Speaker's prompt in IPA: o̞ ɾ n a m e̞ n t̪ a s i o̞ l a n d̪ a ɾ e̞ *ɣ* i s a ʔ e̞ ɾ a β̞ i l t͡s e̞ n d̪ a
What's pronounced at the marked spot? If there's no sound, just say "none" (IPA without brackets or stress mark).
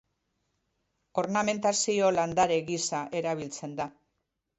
ɣ